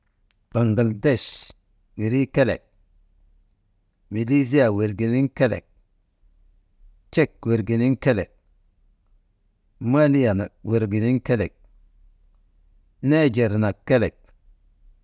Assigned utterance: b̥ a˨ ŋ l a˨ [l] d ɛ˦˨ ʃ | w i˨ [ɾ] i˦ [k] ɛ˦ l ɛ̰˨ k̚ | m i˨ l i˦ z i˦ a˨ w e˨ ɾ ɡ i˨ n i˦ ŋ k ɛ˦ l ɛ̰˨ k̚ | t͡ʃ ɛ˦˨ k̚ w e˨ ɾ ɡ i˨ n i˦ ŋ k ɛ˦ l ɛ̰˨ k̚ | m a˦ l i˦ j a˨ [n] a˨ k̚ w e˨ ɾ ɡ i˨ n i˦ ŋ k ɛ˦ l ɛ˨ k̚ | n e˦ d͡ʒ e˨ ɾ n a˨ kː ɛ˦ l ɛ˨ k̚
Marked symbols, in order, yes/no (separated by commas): yes, yes, yes, yes